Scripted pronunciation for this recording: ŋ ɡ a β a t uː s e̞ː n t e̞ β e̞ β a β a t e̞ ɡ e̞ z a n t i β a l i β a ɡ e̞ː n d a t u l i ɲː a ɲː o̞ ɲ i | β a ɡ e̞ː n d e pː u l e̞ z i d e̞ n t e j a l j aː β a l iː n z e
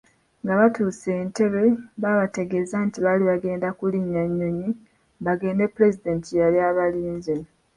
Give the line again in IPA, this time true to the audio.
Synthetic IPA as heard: ŋ ɡ a β a t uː s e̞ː n t e̞ β e̞ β a β a t e̞ ɡ e̞ z a n t i β a l i β a ɡ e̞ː n d a k u l i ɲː a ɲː o̞ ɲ i | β a ɡ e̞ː n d e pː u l e̞ z i d e̞ n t i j a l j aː β a l iː n z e